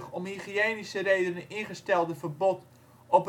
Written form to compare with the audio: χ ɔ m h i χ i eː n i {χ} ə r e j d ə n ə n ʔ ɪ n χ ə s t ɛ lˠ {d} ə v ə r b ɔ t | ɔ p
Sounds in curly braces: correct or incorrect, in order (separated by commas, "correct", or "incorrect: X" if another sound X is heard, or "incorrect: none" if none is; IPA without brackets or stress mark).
incorrect: s, correct